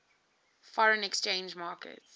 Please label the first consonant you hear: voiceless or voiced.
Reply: voiceless